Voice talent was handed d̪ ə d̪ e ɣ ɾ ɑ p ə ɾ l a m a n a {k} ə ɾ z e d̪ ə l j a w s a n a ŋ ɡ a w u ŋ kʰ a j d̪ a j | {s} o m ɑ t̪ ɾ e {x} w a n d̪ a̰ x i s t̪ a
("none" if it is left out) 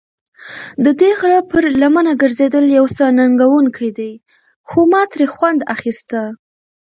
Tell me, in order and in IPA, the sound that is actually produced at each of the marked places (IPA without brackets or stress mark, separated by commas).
ɡ, x, x